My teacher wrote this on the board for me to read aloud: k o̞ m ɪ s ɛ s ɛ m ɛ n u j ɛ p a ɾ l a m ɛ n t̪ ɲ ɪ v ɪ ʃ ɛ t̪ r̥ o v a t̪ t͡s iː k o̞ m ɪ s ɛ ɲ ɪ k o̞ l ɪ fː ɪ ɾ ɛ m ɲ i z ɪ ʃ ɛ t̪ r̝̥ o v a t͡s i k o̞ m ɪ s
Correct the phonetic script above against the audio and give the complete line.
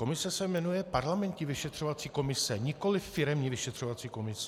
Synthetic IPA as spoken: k o̞ m ɪ s ɛ s ɛ m ɛ n u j ɛ p a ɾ l a m ɛ n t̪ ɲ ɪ v ɪ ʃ ɛ t̪ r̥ o v a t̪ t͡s iː k o̞ m ɪ s ɛ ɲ ɪ k o̞ l ɪ fː ɪ ɾ ɛ m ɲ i v ɪ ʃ ɛ t̪ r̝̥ o v a t͡s iː k o̞ m ɪ s